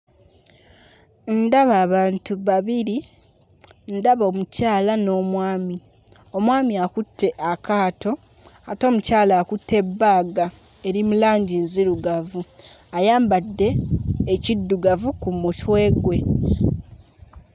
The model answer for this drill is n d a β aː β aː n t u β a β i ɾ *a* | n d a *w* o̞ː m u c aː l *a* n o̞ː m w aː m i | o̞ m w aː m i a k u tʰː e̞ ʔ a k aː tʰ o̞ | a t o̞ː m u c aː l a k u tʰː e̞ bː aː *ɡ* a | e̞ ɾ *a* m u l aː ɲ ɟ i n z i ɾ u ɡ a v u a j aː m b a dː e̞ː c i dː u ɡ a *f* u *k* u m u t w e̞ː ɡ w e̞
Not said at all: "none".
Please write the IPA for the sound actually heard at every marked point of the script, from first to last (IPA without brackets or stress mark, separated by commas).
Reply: i, β, a, ɡ, i, v, k